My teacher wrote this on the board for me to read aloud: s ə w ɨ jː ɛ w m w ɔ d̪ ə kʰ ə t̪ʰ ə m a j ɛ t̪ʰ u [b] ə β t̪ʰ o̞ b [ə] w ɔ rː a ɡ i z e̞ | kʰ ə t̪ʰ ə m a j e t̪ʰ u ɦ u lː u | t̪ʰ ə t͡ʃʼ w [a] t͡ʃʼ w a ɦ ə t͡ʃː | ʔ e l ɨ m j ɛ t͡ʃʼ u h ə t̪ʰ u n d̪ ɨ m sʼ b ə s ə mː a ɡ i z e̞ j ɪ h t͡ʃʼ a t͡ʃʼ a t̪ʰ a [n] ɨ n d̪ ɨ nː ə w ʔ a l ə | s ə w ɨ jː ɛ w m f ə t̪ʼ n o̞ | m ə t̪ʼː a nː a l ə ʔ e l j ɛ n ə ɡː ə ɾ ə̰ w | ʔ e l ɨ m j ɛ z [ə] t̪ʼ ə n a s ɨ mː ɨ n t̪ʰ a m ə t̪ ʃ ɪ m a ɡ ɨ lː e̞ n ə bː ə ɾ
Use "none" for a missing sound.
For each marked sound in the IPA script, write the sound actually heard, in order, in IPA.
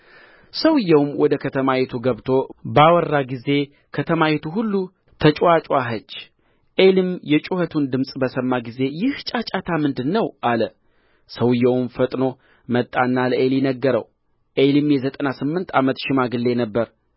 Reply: ɡ, a, a, m, ə

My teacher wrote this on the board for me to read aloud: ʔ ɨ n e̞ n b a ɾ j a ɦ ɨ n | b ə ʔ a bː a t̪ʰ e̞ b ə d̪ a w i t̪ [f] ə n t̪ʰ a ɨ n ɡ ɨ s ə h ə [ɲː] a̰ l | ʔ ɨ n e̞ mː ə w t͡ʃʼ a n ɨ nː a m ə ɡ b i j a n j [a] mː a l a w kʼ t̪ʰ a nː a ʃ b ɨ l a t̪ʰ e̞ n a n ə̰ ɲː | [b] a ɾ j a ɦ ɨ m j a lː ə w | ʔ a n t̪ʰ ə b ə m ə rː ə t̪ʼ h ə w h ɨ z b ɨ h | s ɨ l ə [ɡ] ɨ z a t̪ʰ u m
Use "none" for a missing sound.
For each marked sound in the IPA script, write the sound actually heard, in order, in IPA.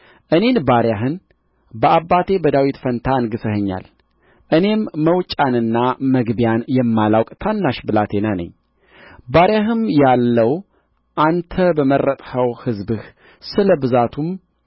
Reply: f, ɲː, ɛ, b, b

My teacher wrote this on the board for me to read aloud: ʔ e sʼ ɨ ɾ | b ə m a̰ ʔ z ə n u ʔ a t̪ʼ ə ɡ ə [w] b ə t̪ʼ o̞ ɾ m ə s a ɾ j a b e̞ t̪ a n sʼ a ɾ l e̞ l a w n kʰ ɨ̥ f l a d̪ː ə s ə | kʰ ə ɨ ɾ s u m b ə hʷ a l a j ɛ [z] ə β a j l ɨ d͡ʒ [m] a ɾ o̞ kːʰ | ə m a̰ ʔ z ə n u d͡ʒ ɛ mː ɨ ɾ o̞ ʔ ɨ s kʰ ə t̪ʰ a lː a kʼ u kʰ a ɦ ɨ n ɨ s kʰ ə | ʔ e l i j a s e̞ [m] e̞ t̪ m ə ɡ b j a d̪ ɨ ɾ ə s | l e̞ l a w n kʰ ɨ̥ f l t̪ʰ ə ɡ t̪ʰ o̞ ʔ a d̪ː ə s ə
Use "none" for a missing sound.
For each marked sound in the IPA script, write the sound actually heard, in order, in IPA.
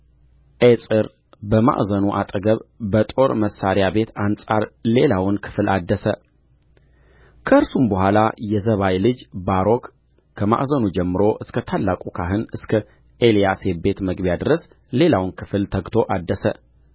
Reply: β, z, b, b

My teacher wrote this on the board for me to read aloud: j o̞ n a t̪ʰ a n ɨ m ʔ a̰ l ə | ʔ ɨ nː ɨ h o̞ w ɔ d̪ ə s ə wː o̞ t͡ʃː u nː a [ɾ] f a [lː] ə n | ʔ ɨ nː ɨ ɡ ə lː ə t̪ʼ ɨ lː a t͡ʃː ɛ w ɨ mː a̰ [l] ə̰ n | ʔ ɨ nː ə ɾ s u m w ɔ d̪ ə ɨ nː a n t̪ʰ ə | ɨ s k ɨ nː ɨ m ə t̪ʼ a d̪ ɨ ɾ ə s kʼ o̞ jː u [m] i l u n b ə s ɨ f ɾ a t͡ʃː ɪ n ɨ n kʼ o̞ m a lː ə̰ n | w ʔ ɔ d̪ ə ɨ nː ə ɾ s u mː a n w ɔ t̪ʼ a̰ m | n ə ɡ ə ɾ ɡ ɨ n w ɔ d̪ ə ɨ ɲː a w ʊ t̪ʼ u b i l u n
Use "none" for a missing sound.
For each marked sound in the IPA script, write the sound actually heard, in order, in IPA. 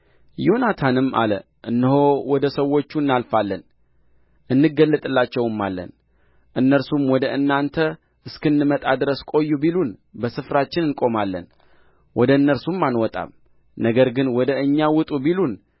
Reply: l, lː, lː, b

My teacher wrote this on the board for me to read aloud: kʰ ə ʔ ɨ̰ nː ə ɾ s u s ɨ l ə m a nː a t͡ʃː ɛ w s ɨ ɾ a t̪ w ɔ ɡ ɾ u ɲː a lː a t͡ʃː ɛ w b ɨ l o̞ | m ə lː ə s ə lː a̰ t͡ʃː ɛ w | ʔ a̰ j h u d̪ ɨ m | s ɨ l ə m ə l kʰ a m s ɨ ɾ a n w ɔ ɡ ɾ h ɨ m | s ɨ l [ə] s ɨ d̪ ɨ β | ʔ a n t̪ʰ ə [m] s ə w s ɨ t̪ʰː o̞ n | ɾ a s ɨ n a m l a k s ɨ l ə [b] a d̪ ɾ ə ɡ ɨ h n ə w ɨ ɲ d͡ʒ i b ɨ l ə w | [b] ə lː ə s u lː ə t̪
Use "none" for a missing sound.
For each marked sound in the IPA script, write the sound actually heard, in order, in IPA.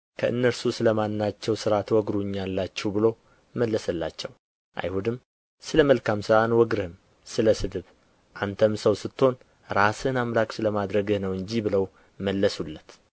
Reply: ə, m, m, m

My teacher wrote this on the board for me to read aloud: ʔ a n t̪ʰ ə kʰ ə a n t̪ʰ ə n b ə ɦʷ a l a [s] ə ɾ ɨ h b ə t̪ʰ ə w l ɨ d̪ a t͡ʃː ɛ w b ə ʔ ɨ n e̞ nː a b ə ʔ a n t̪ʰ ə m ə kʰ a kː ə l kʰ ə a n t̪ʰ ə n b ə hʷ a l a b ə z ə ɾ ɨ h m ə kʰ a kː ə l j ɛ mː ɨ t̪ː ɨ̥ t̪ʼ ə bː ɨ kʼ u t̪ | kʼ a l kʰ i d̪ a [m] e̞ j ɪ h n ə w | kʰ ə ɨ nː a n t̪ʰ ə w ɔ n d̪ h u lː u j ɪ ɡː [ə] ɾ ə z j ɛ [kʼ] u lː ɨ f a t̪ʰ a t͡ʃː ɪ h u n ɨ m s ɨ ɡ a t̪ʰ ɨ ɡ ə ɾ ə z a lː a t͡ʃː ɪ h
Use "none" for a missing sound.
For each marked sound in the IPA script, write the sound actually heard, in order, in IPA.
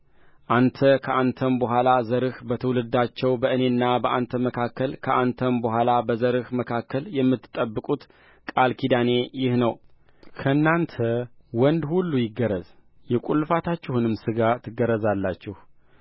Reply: z, n, ə, kʼ

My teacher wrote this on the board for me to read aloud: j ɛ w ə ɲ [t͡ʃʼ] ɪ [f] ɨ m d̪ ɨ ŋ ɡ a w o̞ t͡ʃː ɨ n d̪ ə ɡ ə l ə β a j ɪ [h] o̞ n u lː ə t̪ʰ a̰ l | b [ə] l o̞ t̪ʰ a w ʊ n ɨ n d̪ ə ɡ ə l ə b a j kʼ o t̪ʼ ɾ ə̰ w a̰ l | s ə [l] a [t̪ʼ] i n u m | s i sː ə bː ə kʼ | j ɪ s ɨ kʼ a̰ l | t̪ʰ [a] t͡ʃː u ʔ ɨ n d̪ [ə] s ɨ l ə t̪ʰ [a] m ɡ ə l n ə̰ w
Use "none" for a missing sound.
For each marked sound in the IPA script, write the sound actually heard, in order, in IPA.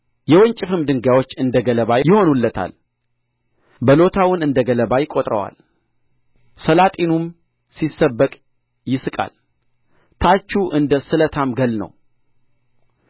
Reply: t͡ʃʼ, f, h, ə, l, t̪ʼ, a, ə, a

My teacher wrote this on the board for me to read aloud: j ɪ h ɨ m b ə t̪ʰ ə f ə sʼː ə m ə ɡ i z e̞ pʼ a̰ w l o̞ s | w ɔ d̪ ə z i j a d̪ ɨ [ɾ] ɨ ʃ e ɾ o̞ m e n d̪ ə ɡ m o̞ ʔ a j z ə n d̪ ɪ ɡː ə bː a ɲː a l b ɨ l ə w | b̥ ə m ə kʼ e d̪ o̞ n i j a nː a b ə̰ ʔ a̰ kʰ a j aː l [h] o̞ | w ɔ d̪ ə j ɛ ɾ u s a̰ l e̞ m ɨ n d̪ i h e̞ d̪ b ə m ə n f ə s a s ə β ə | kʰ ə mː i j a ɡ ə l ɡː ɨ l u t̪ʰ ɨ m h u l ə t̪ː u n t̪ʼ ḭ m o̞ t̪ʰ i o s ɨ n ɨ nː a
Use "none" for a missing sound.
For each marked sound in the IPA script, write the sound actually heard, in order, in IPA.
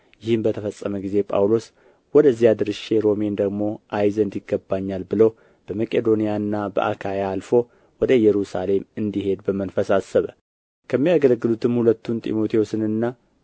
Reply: ɾ, f

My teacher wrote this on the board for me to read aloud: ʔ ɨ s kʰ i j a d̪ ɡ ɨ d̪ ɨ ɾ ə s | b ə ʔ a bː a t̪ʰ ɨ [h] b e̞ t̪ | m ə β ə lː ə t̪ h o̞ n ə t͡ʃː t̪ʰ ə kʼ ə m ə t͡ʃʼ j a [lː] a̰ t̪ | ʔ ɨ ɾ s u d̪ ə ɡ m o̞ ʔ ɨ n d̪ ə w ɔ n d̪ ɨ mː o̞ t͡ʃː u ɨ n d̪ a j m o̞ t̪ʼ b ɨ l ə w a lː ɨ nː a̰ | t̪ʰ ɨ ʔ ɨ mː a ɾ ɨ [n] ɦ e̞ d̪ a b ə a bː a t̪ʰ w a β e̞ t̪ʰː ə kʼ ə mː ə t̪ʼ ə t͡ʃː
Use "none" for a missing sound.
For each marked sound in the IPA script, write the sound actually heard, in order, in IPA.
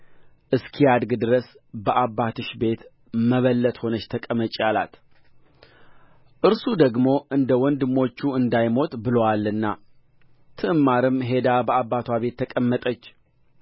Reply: ʃ, l, m

